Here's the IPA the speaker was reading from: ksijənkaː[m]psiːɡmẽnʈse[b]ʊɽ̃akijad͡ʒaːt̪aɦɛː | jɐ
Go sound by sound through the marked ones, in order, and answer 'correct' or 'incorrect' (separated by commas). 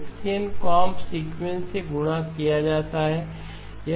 correct, incorrect